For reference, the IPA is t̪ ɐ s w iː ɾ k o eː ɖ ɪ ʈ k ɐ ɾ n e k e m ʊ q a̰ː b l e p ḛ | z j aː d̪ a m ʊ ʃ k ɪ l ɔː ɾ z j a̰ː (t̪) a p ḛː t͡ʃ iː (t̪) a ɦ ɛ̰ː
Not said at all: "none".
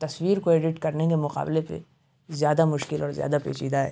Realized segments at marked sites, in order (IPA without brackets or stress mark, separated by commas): d̪, d̪